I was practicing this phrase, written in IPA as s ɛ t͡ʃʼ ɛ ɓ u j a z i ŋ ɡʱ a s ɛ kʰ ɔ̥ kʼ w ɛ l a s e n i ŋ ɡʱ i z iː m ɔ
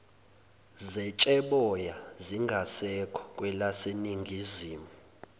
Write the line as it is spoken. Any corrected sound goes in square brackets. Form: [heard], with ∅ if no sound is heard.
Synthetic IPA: [z] ɛ t͡ʃʼ ɛ ɓ [ɔ] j a z i ŋ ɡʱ a s ɛ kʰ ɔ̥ kʼ w ɛ l a s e n i ŋ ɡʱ i z iː m [u]